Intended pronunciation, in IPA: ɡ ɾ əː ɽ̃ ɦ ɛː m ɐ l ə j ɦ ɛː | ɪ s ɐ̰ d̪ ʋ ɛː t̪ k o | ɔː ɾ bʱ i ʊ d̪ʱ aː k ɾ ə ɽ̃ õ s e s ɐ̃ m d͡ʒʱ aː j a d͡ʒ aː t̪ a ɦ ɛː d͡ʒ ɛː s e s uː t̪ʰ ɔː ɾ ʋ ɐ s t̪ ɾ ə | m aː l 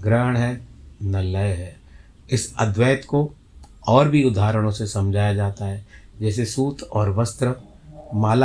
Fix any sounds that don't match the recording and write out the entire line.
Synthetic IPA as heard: ɡ ɾ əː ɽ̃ ɦ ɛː n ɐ l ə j ɦ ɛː | ɪ s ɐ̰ d̪ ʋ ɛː t̪ k o | ɔː ɾ bʱ i ʊ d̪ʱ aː ɾ ə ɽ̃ õ s e s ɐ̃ m d͡ʒʱ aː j a d͡ʒ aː t̪ a ɦ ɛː d͡ʒ ɛː s e s uː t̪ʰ ɔː ɾ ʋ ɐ s t̪ ɾ ə | m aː l